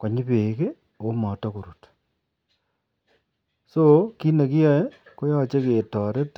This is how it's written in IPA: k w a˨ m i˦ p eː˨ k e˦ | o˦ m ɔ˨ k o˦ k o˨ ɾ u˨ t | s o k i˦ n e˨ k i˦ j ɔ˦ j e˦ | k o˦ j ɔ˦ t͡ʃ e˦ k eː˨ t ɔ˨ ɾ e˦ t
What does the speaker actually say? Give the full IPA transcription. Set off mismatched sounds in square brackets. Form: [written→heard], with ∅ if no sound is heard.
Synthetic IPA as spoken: k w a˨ [m→ɲ] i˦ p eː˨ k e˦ | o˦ m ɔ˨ [k→t] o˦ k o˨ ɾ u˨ t | s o k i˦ n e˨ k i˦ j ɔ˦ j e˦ | k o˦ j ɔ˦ t͡ʃ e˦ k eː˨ t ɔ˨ ɾ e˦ t